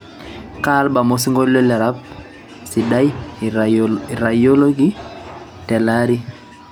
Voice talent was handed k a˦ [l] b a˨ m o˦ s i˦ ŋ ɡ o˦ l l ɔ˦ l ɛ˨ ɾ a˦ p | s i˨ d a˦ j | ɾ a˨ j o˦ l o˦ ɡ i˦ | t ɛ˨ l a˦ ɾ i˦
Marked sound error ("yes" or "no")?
no